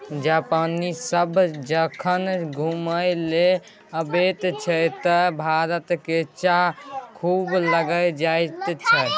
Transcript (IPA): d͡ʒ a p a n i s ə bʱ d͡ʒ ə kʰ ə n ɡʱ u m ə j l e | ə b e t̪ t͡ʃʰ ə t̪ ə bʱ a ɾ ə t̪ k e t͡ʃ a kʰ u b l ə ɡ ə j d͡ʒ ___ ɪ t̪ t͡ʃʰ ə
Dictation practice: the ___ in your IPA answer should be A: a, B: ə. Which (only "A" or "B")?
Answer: A